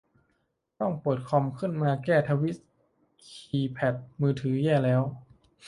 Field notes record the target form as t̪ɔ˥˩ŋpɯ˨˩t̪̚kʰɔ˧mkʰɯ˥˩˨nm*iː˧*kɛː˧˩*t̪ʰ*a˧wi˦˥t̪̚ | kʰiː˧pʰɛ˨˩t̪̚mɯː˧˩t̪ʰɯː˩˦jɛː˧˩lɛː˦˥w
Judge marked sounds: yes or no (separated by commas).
no, yes